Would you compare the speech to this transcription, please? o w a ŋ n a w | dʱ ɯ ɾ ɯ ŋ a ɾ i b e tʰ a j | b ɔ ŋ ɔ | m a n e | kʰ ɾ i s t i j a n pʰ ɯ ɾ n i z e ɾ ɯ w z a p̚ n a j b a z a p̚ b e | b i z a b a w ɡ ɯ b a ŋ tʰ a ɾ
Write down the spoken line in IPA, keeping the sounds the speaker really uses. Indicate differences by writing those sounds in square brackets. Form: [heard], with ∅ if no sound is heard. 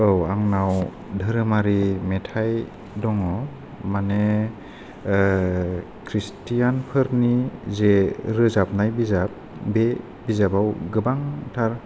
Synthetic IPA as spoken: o w a ŋ n a w | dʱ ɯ ɾ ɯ [m] a ɾ i [m] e tʰ a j | [d] ɔ ŋ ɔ | m a n e | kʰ ɾ i s t i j a n pʰ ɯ ɾ n i z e ɾ ɯ [∅] z a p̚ n a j b [i] z a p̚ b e | b i z a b a w ɡ ɯ b a ŋ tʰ a ɾ